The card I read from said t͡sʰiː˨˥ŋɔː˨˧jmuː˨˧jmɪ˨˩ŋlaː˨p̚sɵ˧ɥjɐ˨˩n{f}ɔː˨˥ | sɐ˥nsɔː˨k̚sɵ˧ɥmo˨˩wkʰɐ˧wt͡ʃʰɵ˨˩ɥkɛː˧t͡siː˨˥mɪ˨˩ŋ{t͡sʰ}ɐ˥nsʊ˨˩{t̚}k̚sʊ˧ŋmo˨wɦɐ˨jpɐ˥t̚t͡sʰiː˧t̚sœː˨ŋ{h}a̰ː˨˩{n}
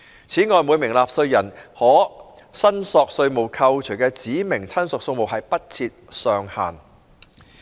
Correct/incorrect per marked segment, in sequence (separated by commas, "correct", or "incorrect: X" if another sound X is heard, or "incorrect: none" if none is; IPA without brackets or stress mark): incorrect: h, correct, incorrect: none, correct, correct